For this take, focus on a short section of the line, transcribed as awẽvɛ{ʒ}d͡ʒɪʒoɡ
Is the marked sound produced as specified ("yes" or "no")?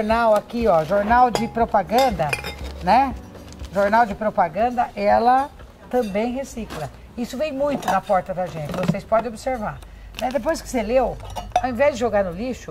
no